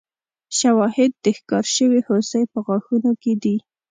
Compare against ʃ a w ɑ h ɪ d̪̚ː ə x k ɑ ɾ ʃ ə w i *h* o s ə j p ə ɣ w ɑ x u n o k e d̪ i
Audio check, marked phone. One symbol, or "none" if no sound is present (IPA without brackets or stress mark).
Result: h